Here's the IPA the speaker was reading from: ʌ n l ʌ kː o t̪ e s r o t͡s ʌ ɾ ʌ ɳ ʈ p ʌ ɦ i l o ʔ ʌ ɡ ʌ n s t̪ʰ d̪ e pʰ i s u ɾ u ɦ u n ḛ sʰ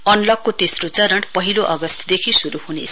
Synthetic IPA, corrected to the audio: ʌ n l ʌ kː o t̪ e s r o t͡s ʌ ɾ ʌ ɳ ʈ p ʌ ɦ i l o ʔ ʌ ɡ ʌ s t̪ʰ d̪ e kʰ i s u ɾ u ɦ u n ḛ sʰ